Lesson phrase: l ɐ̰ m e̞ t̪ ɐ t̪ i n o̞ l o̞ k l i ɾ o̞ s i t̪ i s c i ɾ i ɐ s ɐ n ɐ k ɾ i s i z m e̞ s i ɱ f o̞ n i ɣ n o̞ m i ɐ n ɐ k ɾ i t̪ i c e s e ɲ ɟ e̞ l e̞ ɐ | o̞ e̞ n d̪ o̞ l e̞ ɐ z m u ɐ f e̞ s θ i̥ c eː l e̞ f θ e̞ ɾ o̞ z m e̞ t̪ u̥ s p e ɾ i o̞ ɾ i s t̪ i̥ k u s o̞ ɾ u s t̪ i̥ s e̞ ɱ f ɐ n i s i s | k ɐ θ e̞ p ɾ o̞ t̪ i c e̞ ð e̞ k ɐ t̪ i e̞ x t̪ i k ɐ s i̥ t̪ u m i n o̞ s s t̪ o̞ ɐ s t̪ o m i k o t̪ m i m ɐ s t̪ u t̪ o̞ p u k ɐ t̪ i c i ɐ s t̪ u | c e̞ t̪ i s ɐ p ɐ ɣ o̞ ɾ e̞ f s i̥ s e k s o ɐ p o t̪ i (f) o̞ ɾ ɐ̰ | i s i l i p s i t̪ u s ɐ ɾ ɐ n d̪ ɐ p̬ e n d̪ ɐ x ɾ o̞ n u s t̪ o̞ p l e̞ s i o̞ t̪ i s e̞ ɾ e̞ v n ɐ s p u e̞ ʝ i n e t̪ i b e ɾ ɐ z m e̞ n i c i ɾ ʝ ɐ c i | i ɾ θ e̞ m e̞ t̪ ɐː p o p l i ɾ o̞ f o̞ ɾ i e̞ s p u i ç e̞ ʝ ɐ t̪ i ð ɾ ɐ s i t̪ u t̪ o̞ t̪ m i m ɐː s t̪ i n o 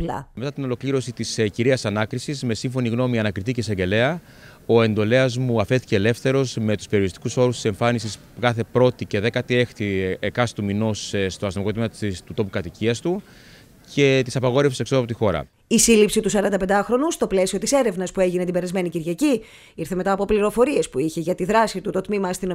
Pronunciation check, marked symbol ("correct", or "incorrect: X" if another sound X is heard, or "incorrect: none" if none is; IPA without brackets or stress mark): incorrect: x